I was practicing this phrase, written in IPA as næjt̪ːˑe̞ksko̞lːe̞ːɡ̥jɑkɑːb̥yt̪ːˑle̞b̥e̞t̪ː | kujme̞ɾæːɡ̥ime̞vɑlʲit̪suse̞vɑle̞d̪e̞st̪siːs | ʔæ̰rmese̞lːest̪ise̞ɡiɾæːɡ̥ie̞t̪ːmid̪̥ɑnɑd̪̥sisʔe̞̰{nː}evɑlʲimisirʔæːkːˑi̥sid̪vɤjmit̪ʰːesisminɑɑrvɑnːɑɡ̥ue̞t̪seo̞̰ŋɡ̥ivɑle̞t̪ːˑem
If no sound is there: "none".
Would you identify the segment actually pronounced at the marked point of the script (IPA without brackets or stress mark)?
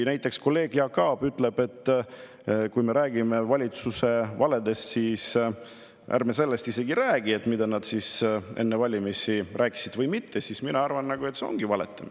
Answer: nː